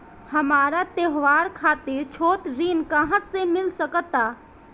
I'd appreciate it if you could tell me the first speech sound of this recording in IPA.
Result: h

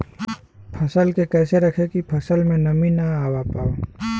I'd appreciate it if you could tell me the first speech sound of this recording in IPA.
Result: pʰ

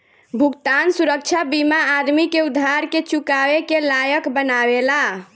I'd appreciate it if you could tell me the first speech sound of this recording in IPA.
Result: bʱ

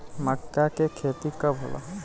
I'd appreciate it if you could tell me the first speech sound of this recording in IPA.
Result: m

